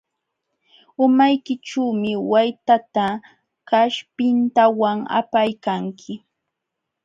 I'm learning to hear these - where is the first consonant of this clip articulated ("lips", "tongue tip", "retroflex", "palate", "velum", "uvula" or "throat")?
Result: lips